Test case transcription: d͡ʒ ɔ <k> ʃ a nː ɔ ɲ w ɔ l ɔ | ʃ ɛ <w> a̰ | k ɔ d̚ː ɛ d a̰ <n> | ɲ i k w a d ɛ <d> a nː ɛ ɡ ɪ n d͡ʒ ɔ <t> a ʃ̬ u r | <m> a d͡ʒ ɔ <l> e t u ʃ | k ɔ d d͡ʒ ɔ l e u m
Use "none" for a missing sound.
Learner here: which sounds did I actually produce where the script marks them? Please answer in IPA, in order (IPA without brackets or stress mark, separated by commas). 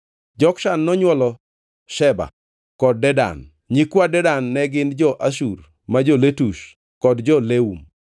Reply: k, b, n, d, ʔ, m, l